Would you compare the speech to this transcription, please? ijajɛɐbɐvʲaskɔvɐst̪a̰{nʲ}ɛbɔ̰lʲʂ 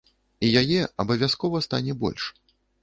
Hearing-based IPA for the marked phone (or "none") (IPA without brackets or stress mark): nʲ